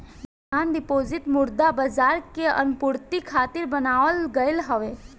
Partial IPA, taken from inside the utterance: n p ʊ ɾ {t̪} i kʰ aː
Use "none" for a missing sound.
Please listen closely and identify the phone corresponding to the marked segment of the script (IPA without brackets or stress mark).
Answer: t̪